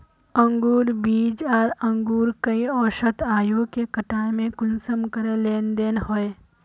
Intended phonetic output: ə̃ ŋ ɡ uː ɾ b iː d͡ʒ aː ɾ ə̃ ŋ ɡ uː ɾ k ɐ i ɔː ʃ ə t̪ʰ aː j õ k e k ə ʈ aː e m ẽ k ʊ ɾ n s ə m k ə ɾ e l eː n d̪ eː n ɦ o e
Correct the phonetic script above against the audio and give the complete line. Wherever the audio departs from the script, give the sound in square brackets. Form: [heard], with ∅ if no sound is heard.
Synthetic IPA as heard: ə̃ ŋ ɡ uː ɾ b iː d͡ʒ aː ɾ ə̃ ŋ ɡ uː ɾ k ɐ i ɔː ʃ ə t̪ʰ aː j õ k e k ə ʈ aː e m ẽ k ʊ [∅] n s ə m k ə ɾ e l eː n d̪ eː n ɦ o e